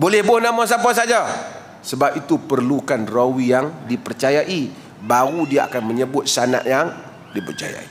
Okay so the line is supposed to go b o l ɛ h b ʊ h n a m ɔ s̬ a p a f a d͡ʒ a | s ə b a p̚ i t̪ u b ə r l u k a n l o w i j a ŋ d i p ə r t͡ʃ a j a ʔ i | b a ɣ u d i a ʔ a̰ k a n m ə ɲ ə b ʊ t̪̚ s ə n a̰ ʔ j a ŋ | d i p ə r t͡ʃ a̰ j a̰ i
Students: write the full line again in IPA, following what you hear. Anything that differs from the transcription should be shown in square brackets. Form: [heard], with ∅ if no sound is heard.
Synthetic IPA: b o l ɛ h b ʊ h n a m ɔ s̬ a p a [s] a d͡ʒ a | s ə b a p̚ i t̪ u [p] ə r l u k a n [r] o w i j a ŋ d i p ə r t͡ʃ a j a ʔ i | b a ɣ u d i a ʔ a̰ k a n m ə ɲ ə b ʊ t̪̚ s [a] n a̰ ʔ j a ŋ | d i p ə r t͡ʃ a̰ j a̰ i